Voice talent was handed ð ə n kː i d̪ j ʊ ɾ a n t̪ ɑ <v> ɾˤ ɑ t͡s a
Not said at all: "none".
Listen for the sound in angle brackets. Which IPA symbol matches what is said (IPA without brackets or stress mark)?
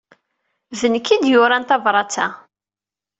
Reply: v